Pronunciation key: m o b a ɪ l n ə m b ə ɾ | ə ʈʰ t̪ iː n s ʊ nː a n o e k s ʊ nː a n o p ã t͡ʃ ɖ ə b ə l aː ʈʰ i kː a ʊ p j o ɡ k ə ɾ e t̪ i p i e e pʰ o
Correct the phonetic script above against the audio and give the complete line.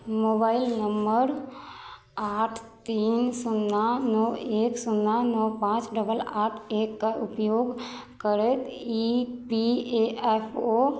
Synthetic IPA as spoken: m o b a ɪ l n ə m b ə ɾ | a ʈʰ t̪ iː n s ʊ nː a n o e k s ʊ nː a n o p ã t͡ʃ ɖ ə b ə l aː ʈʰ e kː a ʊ p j o ɡ k ə ɾ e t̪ i p i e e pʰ o